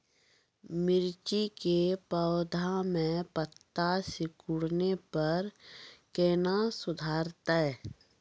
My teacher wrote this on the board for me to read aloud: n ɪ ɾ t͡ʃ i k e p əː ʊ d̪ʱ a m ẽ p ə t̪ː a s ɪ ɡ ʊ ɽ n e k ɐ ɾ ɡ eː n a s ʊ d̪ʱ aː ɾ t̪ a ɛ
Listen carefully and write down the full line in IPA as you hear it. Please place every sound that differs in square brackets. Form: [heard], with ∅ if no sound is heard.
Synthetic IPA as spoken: [m] ɪ ɾ t͡ʃ i k e p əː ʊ d̪ʱ a m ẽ p ə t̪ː a s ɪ [k] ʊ ɽ n e [p] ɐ ɾ [k] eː n a s ʊ d̪ʱ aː ɾ t̪ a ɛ